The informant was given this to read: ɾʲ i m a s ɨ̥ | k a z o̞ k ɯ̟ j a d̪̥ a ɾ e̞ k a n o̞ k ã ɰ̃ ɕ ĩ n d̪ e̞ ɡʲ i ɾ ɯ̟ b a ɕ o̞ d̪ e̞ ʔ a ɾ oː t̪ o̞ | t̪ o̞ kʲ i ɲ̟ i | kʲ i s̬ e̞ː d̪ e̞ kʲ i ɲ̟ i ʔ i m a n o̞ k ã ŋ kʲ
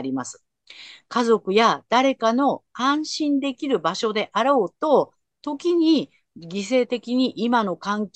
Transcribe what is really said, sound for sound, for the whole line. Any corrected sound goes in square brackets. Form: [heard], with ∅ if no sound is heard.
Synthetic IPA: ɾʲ i m a s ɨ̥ | k a z o̞ k ɯ̟ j a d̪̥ a ɾ e̞ k a n o̞ k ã ɰ̃ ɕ ĩ n d̪ e̞ [kʲ] i ɾ ɯ̟ b a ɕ o̞ d̪ e̞ ʔ a ɾ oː t̪ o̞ | t̪ o̞ kʲ i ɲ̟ i | [ɡʲ] i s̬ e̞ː [t̪] e̞ kʲ i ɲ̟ i ʔ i m a n o̞ k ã ŋ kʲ